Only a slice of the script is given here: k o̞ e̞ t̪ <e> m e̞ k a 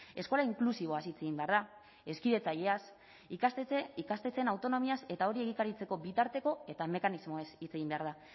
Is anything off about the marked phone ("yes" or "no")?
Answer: yes